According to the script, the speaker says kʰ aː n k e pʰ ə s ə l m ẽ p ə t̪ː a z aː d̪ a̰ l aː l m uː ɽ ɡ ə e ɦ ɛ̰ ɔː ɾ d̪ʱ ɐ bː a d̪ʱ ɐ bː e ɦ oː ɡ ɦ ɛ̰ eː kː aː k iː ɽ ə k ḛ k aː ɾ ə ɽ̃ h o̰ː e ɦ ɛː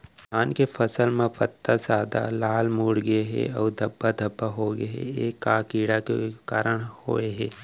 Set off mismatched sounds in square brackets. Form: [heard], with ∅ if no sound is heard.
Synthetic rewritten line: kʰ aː n k e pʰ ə s ə l m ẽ p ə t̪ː a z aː d̪ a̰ l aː l m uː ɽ ɡ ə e ɦ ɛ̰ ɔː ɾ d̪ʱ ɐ bː a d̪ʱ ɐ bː [a] ɦ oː ɡ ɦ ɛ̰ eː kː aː k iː ɽ [a] k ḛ k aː ɾ ə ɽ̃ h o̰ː e ɦ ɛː